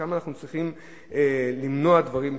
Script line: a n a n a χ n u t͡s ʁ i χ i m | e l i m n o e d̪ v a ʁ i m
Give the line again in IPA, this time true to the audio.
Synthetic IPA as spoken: a m a n a χ n u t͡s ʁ i χ i m | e l i m n o a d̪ v a ʁ i m